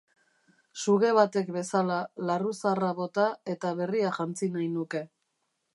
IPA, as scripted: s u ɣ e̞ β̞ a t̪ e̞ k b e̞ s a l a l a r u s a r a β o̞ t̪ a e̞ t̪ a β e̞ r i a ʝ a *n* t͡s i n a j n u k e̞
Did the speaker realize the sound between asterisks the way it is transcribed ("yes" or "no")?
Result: yes